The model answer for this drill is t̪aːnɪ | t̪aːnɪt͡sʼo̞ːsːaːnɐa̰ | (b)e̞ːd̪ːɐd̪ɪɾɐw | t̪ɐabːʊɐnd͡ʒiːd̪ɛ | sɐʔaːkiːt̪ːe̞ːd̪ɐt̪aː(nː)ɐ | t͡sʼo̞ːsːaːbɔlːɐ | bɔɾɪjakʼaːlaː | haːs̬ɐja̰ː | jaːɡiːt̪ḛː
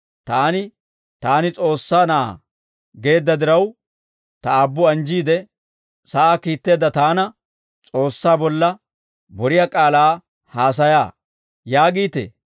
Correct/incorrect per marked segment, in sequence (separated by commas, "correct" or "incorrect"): incorrect, incorrect